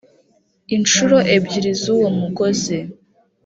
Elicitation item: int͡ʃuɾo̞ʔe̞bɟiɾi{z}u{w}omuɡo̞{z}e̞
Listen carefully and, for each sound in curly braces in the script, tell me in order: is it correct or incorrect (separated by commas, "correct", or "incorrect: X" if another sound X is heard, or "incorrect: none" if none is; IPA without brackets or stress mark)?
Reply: correct, correct, correct